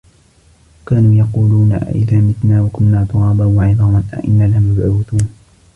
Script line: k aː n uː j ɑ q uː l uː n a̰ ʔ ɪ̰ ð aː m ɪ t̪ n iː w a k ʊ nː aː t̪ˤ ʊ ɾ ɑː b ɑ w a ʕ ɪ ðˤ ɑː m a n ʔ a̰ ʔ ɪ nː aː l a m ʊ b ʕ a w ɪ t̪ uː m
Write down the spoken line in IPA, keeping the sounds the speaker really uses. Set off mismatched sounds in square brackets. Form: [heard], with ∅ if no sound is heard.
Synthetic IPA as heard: k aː n uː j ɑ q uː l uː n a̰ ʔ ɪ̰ ð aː m ɪ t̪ n [aː] w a k ʊ nː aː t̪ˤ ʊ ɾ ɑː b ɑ w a ʕ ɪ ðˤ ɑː m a n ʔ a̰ ʔ ɪ nː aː l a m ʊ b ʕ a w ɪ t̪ uː [n]